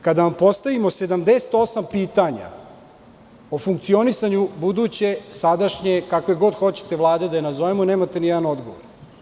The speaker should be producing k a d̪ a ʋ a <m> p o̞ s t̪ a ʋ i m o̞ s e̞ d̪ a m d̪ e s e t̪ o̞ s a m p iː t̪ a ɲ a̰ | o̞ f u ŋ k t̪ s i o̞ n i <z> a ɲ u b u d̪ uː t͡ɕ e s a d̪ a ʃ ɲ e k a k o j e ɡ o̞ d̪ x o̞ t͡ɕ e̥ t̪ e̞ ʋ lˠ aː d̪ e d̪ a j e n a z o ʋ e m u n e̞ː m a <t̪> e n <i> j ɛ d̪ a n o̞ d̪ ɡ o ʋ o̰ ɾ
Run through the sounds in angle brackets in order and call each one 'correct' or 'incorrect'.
correct, incorrect, correct, correct

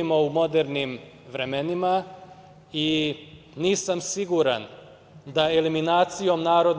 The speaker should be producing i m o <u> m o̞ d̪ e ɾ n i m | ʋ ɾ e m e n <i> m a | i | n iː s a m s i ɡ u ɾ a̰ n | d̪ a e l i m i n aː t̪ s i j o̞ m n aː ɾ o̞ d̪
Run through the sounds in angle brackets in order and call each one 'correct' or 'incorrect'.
correct, correct

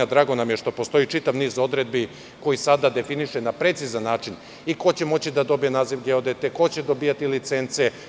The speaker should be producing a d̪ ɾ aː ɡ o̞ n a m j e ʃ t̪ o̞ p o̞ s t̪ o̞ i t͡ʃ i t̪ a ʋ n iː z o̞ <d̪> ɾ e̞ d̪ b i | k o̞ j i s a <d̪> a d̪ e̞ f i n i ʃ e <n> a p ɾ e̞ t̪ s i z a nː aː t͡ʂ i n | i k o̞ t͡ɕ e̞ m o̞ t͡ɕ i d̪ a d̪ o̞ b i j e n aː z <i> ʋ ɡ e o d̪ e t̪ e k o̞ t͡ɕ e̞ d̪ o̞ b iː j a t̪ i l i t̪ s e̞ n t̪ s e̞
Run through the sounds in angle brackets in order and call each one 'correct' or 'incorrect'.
correct, correct, correct, correct

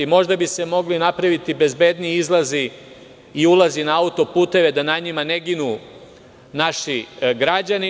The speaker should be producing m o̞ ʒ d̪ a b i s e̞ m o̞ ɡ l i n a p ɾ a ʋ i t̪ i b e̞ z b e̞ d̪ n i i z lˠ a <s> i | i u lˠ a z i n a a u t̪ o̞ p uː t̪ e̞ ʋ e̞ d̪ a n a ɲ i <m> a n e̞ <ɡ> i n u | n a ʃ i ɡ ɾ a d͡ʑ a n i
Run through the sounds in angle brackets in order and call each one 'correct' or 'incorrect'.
incorrect, correct, correct

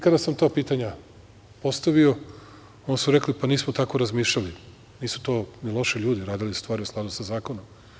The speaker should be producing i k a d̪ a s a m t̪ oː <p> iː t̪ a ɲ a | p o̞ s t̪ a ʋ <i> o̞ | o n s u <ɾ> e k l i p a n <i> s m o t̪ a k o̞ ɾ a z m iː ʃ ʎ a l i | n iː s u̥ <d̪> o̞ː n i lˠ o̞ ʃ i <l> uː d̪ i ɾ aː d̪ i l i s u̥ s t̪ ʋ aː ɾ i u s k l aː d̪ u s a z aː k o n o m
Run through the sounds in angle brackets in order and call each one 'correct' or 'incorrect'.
correct, correct, correct, incorrect, incorrect, incorrect

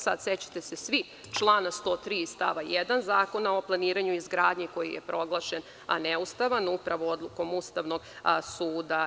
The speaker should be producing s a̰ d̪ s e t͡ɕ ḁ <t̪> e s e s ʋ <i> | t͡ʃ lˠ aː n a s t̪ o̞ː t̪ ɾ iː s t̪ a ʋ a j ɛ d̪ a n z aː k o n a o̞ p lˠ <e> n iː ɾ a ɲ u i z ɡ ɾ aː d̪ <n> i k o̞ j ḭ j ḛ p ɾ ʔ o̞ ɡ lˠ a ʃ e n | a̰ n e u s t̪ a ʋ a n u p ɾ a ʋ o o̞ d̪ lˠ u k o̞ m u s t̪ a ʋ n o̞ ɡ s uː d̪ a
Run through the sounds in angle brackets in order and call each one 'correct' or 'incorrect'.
correct, correct, incorrect, incorrect

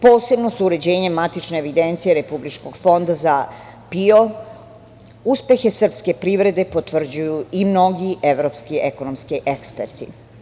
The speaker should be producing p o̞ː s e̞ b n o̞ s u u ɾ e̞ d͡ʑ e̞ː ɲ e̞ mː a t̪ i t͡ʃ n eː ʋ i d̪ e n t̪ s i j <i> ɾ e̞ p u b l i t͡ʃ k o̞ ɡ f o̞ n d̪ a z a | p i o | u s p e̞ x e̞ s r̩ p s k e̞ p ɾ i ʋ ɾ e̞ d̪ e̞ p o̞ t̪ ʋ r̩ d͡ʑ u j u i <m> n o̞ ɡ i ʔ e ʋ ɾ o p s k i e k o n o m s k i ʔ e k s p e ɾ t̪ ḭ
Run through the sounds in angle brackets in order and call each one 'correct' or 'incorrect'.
incorrect, correct

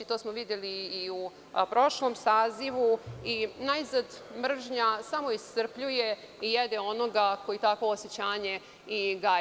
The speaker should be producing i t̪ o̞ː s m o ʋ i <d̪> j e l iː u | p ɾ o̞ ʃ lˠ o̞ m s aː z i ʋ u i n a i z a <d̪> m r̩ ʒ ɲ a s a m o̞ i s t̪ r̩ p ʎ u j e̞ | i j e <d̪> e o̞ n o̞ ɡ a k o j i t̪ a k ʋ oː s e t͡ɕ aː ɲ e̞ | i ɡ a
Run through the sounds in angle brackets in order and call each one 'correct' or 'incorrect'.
correct, correct, correct

